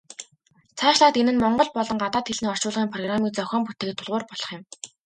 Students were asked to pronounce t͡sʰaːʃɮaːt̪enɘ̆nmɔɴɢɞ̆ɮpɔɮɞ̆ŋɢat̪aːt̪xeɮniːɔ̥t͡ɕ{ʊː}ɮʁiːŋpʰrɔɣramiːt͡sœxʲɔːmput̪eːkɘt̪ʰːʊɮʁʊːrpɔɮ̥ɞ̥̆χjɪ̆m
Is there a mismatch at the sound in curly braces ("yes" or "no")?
no